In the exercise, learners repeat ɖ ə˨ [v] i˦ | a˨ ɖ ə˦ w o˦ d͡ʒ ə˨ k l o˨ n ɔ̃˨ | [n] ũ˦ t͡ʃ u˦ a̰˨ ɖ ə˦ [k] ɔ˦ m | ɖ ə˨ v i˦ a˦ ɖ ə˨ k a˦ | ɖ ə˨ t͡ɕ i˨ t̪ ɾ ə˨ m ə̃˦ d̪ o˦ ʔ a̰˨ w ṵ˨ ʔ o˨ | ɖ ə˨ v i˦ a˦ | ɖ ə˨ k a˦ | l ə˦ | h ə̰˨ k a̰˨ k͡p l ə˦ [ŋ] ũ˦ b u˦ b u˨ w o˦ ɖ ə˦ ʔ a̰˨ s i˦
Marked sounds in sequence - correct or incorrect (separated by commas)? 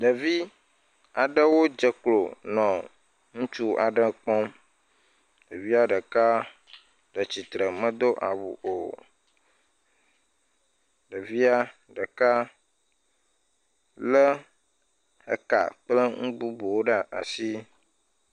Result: correct, incorrect, incorrect, correct